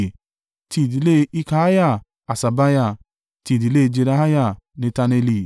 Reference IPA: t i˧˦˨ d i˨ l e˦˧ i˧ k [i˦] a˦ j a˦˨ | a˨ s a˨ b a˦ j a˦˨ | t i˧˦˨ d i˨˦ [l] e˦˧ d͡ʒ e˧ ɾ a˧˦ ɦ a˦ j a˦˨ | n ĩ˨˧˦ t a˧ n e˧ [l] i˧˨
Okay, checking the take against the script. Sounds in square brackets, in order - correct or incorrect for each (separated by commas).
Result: incorrect, correct, correct